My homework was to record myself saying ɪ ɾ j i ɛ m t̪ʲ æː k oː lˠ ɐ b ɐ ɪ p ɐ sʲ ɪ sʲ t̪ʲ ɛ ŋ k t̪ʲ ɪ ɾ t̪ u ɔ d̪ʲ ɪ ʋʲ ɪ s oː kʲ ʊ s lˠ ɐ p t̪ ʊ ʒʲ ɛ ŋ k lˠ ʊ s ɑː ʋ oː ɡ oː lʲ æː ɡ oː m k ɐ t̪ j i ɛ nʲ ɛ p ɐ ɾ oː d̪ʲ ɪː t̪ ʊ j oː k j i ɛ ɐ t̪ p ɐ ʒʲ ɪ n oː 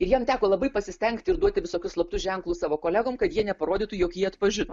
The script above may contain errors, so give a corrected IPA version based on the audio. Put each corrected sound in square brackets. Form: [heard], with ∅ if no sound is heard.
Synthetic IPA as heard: ɪ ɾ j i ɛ m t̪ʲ æː k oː lˠ ɐ b ɐ ɪ p ɐ sʲ ɪ sʲ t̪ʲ ɛ ŋ k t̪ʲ ɪ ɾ [d̪] u ɔ [t̪ʲ] ɪ ʋʲ ɪ s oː kʲ ʊ s lˠ ɐ p t̪ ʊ ʒʲ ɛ ŋ k lˠ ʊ s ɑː ʋ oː [k] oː lʲ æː ɡ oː m k ɐ t̪ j i ɛ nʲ ɛ p ɐ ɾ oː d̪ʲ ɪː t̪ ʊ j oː k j i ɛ ɐ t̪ p ɐ ʒʲ ɪ n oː